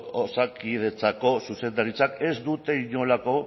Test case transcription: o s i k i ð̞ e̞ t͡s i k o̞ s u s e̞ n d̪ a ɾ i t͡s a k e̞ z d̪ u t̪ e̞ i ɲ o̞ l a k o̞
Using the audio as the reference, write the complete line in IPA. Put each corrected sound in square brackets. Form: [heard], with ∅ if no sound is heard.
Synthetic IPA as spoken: o s [a] k i ð̞ e̞ t͡s [a] k o̞ s u s e̞ n d̪ a ɾ i t͡s a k e̞ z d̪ u t̪ e̞ i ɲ o̞ l a k o̞